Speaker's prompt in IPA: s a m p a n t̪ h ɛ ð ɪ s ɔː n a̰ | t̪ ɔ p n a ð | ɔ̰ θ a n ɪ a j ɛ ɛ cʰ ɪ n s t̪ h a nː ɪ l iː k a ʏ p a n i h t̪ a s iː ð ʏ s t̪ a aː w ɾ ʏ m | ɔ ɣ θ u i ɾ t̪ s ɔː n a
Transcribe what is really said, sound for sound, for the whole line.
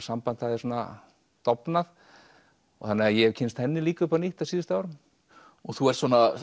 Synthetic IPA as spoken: s a m p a n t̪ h a ð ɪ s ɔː n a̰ | t̪ ɔ p n a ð | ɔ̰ θ a n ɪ a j ɛ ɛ cʰ ɪ n s t̪ h ɛ nː ɪ l iː k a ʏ p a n i h t̪ a s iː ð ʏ s t̪ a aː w ɾ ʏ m | ɔ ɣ θ u ɛ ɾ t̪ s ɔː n a